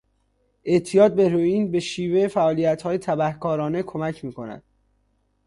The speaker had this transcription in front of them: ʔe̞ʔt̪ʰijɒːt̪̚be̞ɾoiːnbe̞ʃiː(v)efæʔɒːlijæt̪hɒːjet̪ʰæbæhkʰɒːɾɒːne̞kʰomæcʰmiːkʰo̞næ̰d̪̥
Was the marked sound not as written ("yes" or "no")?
no